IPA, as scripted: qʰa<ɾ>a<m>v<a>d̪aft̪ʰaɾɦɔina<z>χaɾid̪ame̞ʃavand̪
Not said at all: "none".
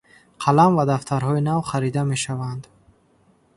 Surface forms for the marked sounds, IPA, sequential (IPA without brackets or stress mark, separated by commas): l, m, a, v